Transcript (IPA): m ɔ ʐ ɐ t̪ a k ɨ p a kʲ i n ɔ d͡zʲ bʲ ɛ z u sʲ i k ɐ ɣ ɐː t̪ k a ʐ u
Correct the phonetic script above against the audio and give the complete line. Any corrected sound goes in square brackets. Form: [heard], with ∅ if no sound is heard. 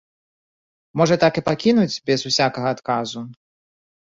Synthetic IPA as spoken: m ɔ ʐ ɐ t̪ a k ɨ p a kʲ i n [u] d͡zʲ bʲ ɛ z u sʲ [a] k ɐ ɣ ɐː t̪ k a [z] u